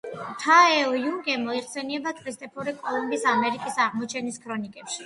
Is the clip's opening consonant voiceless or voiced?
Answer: voiceless